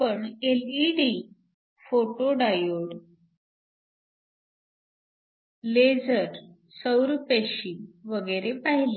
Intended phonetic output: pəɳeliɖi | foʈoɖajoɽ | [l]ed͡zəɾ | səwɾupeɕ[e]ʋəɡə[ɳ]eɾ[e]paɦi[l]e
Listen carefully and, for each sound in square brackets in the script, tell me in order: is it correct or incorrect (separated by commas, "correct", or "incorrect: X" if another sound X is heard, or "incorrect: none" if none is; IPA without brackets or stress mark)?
correct, incorrect: i, incorrect: none, correct, correct